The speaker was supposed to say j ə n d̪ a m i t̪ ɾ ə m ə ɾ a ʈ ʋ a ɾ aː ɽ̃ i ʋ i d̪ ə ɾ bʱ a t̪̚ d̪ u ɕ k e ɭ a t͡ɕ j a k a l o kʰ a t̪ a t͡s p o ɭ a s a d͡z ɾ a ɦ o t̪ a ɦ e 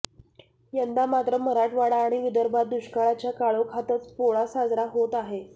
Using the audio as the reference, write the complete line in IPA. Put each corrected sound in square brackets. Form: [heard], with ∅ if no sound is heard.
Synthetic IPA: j ə n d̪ a m [a] t̪ ɾ ə m ə ɾ a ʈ ʋ a [ɽ] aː ɽ̃ i ʋ i d̪ ə ɾ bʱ a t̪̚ d̪ u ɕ k [a] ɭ a t͡ɕ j a k a [ɭ] o kʰ a t̪ [ə] t͡s p o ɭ a s a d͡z ɾ a ɦ o t̪ a ɦ e